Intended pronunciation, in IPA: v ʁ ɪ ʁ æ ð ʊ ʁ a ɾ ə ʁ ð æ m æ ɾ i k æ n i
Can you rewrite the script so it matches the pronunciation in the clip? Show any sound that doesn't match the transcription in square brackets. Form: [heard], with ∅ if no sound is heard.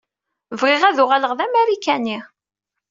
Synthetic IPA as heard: v ʁ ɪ ʁ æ ð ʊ ʁ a [l] ə ʁ ð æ m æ ɾ i k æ n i